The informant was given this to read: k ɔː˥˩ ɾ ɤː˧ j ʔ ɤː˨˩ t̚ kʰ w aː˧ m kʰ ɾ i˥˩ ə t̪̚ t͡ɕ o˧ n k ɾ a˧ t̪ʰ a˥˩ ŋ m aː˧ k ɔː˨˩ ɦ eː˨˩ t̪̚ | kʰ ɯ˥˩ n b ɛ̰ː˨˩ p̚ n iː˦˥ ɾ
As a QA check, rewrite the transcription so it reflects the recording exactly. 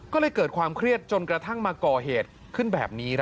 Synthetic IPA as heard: k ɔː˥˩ l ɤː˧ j k ɤː˨˩ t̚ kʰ w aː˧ m kʰ ɾ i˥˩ ə t̪̚ t͡ɕ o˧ n k ɾ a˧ t̪ʰ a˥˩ ŋ m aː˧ k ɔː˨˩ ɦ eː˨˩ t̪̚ | kʰ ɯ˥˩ n b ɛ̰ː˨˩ p̚ n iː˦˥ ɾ